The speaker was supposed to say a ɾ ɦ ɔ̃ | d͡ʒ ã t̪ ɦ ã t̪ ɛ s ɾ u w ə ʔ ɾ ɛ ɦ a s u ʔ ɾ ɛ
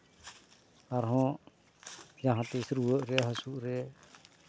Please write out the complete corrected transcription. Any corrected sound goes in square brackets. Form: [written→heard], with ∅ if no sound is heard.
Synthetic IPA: a ɾ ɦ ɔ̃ | d͡ʒ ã [t̪→∅] ɦ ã t̪ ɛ s ɾ u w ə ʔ ɾ ɛ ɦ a s u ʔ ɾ ɛ